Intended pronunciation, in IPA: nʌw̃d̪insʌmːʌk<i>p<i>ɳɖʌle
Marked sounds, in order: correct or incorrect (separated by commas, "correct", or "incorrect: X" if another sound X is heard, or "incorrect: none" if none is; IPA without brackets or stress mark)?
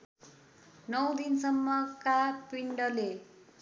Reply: incorrect: a, correct